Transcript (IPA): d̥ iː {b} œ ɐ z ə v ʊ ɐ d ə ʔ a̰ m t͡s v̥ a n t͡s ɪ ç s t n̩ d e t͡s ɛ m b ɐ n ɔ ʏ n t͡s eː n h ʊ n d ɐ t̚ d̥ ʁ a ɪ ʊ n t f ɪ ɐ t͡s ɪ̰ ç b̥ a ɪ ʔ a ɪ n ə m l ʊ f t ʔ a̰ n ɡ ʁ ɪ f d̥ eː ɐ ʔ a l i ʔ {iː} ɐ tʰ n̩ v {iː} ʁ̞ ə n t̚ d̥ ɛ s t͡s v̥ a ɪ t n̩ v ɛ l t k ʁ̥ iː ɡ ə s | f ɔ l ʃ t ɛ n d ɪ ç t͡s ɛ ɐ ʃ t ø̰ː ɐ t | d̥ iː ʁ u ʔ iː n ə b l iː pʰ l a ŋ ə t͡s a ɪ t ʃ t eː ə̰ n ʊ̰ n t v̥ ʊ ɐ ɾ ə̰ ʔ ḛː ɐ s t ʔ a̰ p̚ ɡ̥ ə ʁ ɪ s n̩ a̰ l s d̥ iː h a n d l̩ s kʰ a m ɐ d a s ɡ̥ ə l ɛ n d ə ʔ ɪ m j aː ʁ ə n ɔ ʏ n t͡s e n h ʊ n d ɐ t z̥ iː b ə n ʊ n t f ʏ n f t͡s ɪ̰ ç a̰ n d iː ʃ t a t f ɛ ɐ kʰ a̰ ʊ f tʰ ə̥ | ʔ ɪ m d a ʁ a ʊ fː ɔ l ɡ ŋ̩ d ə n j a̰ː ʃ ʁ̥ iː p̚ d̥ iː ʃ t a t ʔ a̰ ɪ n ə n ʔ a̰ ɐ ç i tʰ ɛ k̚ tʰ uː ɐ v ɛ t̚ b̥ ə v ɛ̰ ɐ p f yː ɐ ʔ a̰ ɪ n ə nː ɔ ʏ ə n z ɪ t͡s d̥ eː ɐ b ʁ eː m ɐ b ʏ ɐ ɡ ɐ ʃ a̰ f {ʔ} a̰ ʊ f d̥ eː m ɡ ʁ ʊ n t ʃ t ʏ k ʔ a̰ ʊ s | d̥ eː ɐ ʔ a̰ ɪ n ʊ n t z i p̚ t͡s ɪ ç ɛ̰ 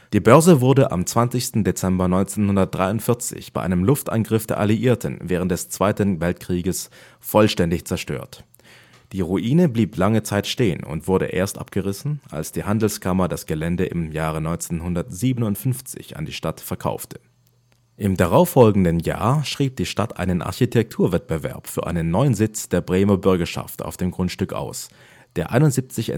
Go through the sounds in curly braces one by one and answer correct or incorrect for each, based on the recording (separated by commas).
correct, correct, incorrect, incorrect